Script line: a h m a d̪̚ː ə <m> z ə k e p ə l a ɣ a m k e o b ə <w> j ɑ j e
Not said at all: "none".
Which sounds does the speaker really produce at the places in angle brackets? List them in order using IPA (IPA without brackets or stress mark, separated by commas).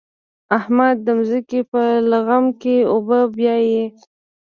m, b